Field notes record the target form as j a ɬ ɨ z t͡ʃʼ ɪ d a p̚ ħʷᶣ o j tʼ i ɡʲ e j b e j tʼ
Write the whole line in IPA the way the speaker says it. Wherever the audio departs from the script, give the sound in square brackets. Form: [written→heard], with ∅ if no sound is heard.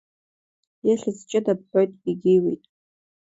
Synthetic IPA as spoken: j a ɬ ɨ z t͡ʃʼ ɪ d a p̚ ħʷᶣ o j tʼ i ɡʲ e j [b→w] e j tʼ